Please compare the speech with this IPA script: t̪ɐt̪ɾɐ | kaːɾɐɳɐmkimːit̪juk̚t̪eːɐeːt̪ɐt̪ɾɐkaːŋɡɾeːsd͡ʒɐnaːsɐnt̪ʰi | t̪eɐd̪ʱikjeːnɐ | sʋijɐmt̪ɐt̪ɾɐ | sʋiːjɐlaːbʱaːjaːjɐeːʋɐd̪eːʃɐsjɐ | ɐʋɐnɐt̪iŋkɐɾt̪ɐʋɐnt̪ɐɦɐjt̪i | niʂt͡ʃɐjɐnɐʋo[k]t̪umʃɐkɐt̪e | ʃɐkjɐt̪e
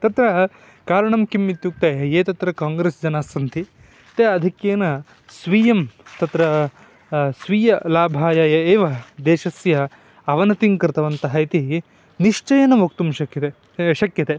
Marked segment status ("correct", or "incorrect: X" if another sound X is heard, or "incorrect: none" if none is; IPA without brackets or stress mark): correct